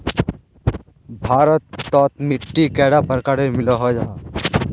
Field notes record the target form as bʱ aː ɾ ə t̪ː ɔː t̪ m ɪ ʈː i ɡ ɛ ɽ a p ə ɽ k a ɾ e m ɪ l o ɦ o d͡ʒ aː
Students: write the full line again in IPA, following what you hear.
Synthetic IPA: bʱ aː ɾ ə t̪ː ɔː t̪ m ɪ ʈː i k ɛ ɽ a p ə ɾ k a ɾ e m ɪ l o ɦ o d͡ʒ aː